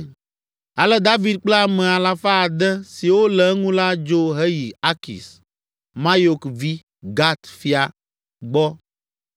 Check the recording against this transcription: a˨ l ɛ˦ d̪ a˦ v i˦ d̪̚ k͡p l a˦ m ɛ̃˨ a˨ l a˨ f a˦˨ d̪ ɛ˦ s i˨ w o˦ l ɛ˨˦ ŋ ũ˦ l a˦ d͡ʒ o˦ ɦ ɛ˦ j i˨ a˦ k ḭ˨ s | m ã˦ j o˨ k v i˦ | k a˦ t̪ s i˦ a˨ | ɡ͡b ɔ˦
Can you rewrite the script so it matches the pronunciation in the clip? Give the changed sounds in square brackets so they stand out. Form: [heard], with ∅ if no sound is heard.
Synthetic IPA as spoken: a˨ l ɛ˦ d̪ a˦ v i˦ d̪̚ k͡p l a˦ m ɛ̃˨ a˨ l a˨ f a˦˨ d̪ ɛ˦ s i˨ w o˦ l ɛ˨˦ ŋ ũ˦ l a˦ d͡ʒ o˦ ɦ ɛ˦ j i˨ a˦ k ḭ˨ s | m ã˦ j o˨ k v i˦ | [ɡ] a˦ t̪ [f] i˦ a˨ | ɡ͡b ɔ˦